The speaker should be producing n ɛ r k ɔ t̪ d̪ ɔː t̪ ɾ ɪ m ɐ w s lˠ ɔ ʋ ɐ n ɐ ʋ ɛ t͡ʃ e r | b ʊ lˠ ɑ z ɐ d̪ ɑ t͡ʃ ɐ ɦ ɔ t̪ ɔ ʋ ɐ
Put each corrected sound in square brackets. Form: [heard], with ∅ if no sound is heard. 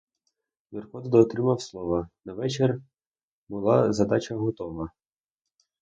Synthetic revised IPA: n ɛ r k ɔ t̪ d̪ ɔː t̪ ɾ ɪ m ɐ w s lˠ ɔ ʋ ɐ n ɐ ʋ ɛ t͡ʃ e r | b ʊ lˠ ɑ z ɐ d̪ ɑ t͡ʃ ɐ ɦ ɔ t̪ ɔ ʋ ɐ